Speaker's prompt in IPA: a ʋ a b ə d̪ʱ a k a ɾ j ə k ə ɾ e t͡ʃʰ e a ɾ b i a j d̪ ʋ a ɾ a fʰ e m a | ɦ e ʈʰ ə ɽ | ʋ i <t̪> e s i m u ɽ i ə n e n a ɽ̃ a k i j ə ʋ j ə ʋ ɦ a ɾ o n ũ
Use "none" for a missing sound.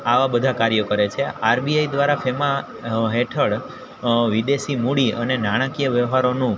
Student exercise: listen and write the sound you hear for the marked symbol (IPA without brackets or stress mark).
d̪